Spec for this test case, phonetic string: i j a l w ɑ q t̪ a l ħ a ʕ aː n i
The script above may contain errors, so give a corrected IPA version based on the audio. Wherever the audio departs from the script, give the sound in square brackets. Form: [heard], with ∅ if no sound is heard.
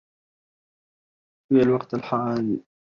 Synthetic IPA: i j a l w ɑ q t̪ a l ħ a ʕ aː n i